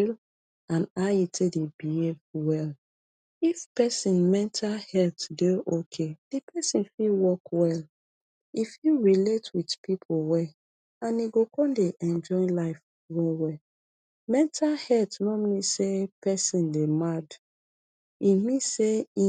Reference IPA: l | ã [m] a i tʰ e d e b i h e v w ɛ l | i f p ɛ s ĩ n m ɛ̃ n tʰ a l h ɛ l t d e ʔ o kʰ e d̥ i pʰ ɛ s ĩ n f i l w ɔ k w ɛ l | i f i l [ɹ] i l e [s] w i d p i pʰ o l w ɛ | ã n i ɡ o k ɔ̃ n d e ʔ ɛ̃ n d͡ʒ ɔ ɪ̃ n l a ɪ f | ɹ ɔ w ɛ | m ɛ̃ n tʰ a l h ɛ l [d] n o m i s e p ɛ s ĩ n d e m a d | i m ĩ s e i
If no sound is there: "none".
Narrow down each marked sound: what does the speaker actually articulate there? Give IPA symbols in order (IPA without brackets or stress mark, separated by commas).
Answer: n, ɹ, t, t